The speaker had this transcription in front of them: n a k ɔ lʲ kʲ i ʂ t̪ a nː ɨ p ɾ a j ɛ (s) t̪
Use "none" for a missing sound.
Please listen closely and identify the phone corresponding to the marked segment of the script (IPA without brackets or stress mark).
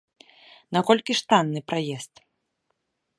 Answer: s